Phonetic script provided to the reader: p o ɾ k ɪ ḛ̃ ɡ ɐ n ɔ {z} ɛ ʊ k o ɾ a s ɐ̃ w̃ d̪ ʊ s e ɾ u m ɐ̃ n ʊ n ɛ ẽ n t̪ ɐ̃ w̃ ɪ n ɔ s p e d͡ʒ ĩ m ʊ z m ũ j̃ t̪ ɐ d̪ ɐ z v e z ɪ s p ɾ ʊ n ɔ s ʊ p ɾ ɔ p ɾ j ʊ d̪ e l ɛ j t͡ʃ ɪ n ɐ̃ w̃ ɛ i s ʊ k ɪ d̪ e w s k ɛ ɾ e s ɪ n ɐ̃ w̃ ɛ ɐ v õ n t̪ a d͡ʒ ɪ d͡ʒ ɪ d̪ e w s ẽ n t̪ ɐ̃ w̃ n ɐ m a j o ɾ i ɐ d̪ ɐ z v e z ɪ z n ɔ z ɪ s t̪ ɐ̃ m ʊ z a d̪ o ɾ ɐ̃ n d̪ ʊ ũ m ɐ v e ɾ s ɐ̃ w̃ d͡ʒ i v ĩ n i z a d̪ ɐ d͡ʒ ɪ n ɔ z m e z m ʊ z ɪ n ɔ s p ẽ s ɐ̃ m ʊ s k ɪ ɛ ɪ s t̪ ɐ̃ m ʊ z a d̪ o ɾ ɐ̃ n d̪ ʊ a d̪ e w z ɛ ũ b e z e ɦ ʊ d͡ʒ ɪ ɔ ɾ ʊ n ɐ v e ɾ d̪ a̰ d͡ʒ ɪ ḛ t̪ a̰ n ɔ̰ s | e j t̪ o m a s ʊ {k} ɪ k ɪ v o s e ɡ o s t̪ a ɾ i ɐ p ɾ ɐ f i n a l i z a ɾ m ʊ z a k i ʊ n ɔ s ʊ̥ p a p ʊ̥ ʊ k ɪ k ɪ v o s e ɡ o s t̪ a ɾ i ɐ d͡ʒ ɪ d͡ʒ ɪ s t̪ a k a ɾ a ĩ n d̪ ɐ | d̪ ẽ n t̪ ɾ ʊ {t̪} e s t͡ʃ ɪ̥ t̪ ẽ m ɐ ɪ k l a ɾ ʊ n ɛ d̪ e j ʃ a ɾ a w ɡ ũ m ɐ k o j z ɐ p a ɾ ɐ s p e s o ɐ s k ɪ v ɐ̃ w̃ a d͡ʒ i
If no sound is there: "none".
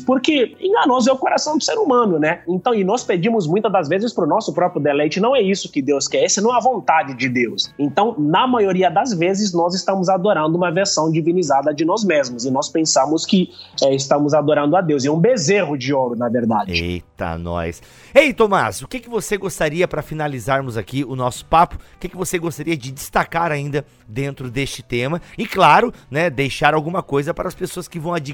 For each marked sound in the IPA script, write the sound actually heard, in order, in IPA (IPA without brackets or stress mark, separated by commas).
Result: z, k, d̪